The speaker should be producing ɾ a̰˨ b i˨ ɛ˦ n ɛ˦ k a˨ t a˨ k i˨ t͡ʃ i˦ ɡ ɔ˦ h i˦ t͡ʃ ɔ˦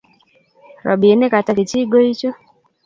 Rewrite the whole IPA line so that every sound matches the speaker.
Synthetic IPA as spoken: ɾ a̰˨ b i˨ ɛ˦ n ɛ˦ k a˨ t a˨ k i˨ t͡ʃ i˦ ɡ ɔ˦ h i˦ t͡ʃ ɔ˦